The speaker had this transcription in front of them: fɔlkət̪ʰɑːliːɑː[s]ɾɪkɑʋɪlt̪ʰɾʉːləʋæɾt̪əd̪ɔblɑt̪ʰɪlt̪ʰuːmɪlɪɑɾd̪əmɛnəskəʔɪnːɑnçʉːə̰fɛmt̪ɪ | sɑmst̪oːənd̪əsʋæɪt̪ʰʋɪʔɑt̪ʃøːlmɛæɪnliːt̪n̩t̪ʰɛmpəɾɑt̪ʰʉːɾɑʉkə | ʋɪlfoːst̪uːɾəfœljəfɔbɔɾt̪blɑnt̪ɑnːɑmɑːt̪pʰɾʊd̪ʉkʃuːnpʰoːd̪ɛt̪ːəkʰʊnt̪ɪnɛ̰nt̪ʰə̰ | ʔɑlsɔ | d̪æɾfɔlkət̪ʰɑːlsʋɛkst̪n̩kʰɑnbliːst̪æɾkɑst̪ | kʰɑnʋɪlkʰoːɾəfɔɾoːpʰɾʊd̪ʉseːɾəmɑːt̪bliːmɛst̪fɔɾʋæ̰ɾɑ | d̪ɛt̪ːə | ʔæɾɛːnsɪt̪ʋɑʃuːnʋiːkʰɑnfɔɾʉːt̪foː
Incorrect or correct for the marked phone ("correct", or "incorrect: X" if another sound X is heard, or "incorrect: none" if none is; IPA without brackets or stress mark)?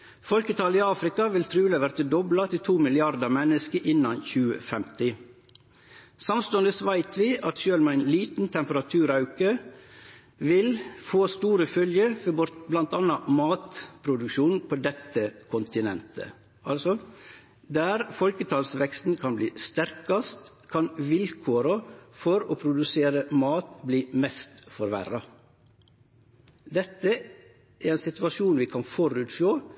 incorrect: f